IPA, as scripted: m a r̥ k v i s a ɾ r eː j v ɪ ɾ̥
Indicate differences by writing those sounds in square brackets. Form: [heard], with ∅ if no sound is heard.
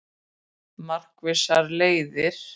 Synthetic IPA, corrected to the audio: m a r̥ k v [ɪ] s a ɾ [l] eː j [ð] ɪ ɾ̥